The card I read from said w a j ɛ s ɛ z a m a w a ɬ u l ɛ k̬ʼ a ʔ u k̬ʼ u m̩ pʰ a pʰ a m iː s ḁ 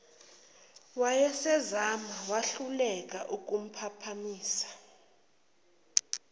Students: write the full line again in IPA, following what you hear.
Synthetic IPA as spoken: w a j ɛ s ɛ z a m a w a ɬ u l ɛ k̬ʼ a ʔ u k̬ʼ u m̩ pʰ a pʰ a m iː s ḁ